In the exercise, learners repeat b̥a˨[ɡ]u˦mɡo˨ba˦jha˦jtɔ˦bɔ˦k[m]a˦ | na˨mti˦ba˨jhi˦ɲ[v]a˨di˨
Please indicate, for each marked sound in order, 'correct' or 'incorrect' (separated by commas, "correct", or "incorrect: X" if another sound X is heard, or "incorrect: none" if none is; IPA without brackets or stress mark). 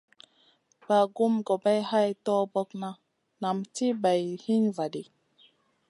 correct, incorrect: n, correct